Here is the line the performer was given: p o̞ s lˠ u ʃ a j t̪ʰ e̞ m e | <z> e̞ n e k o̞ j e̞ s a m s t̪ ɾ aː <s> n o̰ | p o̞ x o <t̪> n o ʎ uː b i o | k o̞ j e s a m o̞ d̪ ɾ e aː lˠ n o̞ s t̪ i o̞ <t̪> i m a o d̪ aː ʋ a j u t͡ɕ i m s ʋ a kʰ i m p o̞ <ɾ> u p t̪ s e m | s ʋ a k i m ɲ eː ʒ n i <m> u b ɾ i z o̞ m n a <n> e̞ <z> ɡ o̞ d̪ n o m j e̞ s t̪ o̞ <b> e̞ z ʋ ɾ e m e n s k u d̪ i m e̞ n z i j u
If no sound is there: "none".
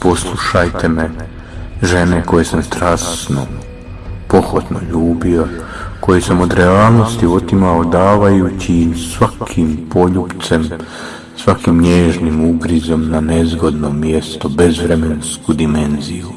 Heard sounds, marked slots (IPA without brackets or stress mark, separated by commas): ʒ, s, t̪, t̪, ʎ, m, n, z, b